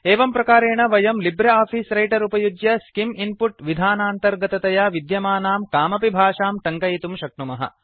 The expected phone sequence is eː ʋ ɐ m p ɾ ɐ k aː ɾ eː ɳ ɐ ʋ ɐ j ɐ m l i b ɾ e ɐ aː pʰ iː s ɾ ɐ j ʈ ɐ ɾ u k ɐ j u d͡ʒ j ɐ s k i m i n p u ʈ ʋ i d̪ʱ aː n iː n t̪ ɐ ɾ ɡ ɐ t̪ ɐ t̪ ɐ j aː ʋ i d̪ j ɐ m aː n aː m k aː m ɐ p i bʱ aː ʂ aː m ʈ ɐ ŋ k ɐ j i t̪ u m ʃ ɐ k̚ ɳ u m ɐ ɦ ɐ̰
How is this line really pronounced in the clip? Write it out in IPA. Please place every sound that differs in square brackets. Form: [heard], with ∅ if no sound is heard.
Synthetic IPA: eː ʋ ɐ m p ɾ ɐ k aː ɾ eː ɳ ɐ ʋ ɐ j ɐ m l i b ɾ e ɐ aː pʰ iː s ɾ ɐ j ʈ ɐ ɾ u [p] ɐ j u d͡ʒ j ɐ s k i m i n p u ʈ ʋ i d̪ʱ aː n [aː] n t̪ ɐ ɾ ɡ ɐ t̪ ɐ t̪ ɐ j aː ʋ i d̪ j ɐ m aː n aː m k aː m ɐ p i bʱ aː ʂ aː m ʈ ɐ ŋ k ɐ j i t̪ u m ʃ ɐ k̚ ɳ u m ɐ ɦ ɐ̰